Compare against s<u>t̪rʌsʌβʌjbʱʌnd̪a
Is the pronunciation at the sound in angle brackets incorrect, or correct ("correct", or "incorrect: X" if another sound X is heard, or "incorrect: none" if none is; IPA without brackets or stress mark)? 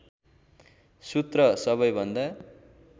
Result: correct